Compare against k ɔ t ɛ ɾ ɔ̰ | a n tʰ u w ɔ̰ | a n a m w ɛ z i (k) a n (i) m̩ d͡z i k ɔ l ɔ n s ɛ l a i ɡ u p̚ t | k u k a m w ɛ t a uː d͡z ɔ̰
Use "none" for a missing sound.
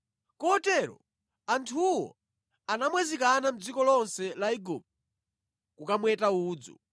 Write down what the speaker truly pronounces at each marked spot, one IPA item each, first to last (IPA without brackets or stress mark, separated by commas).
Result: k, a